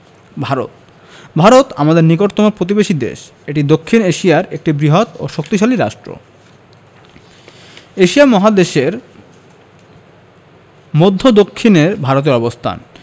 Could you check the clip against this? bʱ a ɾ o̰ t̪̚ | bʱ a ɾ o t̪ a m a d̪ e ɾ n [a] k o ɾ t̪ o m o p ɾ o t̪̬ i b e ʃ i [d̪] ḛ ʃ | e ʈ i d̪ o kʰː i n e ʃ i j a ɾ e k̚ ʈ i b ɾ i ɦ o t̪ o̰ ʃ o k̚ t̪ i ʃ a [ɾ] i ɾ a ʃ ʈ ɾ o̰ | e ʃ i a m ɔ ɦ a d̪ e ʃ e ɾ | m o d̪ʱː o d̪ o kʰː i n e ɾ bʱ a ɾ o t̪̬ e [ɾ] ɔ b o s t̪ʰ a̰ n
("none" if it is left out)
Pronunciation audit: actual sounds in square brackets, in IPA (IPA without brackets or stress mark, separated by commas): i, d̪, l, ɾ